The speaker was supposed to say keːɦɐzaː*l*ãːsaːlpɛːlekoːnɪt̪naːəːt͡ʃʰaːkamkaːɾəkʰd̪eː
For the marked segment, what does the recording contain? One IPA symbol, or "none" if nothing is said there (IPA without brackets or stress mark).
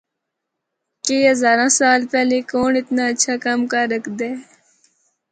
ɾ